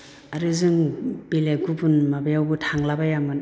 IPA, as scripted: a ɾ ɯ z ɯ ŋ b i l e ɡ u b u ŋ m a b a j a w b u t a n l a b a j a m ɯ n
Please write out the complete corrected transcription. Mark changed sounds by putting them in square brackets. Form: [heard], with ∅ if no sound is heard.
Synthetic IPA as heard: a ɾ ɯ z ɯ ŋ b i l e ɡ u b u [n] m a b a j a w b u [tʰ] a [ŋ] l a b a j a m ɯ n